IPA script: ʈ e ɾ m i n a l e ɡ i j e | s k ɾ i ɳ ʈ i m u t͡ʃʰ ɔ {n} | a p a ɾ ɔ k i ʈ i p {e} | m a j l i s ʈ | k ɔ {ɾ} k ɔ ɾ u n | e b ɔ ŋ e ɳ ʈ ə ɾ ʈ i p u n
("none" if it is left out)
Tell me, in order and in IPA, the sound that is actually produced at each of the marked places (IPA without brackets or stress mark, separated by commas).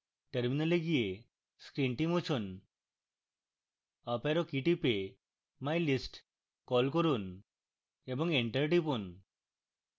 n, e, l